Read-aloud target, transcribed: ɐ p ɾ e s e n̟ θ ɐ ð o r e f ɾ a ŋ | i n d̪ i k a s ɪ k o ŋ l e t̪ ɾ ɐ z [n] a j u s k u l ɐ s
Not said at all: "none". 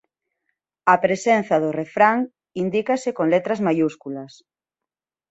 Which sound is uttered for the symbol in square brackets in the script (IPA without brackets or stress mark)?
m